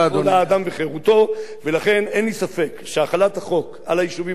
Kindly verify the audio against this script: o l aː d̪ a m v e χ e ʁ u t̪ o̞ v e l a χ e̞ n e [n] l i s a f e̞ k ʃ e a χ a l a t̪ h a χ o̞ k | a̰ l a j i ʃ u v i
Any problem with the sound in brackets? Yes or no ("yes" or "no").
no